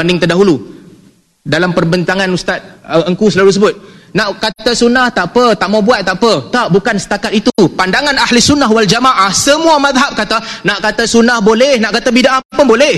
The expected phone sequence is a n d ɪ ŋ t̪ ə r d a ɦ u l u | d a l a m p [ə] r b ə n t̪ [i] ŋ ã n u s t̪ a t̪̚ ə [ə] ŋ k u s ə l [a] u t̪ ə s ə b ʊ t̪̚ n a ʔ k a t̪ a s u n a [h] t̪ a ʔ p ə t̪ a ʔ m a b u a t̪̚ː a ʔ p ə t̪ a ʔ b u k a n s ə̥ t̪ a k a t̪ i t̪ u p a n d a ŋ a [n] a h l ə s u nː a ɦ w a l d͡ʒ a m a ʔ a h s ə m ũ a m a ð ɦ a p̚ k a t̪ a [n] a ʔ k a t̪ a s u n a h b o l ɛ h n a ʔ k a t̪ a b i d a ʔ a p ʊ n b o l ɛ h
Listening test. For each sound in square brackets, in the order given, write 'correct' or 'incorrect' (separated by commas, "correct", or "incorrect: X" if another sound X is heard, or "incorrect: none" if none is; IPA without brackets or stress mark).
correct, incorrect: a, correct, correct, correct, correct, correct